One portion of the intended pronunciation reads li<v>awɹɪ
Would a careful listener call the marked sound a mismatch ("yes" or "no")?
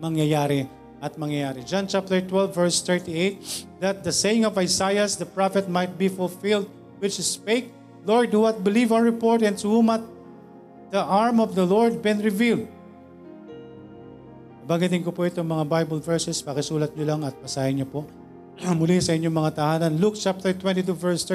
no